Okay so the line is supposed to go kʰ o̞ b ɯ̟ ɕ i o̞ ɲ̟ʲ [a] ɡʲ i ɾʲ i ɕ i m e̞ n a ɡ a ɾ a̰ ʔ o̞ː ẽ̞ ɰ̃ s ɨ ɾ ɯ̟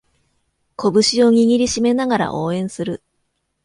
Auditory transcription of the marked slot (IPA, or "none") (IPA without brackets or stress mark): i